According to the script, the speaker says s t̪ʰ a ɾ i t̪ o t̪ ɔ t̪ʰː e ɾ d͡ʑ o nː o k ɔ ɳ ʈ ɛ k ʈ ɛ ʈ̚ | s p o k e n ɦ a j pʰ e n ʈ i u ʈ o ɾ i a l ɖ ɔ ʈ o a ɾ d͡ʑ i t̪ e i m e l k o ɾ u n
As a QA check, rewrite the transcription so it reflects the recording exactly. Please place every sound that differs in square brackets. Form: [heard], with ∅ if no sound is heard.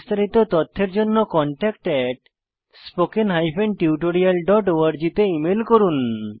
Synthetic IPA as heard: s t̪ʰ a ɾ i t̪ o t̪ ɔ t̪ʰː e ɾ d͡ʑ o nː o k ɔ ɳ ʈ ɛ k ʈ ɛ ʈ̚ | s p o k e n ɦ a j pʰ e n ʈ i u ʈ o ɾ i a l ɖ ɔ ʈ o a ɾ d͡ʑ i t̪ e i m e l k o ɾ u n